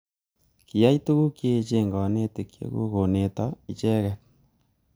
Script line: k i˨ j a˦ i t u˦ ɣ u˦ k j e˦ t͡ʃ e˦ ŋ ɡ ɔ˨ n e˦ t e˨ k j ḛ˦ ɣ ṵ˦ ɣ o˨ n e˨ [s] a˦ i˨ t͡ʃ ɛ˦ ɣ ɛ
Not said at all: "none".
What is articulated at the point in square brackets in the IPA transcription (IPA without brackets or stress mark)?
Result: t